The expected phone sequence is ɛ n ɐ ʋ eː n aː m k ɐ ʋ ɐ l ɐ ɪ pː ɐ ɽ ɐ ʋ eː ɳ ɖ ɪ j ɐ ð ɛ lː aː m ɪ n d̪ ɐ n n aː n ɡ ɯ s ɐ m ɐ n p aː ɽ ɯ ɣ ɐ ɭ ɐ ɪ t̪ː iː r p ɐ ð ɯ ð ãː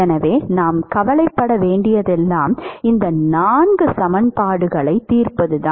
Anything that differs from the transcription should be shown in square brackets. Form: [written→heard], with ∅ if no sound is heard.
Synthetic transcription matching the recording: ɛ n ɐ ʋ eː n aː m k ɐ ʋ ɐ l ɐ ɪ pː ɐ ɽ ɐ ʋ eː ɳ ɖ ɪ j ɐ ð ɛ lː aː m ɪ n d̪ ɐ n n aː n ɡ ɯ s ɐ m ɐ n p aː ɽ ɯ ɣ ɐ ɭ ɐ ɪ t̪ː iː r p ɐ ð ɯ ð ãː